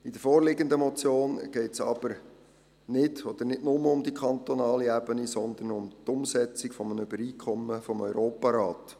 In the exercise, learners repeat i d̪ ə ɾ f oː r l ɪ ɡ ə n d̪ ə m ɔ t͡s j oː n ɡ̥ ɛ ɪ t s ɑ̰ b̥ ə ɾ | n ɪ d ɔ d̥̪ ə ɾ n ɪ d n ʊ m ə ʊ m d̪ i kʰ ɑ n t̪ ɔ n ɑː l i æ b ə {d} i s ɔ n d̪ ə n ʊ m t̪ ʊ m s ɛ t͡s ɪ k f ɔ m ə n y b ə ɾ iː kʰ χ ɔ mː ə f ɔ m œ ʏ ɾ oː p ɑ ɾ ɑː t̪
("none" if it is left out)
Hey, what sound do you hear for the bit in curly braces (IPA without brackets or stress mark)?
n